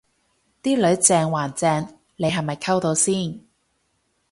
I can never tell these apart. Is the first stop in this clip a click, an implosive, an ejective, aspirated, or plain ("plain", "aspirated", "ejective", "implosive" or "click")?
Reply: plain